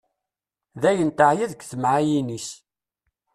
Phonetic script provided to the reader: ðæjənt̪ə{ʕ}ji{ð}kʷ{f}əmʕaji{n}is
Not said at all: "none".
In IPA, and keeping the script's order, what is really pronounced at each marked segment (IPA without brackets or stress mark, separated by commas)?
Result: ʕ, ð, θ, n